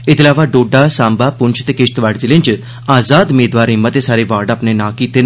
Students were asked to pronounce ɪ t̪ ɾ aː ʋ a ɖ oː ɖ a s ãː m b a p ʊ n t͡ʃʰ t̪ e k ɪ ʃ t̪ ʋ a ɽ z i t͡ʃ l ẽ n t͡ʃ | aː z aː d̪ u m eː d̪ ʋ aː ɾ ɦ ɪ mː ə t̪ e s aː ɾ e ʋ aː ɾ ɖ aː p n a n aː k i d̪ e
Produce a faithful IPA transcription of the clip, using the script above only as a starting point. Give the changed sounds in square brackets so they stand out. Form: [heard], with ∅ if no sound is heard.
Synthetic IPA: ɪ t̪ [l] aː ʋ a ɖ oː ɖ a s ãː m b a p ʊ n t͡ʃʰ t̪ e k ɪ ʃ t̪ ʋ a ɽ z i [∅] l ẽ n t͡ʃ | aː z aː d̪ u m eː d̪ ʋ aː ɾ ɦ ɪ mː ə t̪ e s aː ɾ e ʋ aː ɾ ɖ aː p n [e] n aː k i [t̪] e